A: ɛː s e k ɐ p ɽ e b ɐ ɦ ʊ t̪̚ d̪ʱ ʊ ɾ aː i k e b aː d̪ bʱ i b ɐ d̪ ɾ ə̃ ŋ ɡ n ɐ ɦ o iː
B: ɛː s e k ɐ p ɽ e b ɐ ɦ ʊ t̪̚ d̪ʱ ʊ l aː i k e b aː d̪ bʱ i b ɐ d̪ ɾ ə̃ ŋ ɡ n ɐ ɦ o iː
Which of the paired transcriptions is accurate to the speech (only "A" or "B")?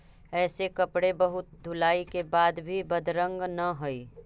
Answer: B